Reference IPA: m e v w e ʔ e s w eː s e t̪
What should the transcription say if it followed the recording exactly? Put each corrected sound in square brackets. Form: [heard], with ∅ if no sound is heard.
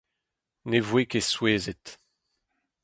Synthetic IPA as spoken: [n] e v w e [k] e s w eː [z] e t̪